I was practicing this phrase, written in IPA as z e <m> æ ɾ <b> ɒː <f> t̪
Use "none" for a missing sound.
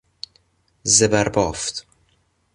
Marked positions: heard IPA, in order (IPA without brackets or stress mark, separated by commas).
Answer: b, b, f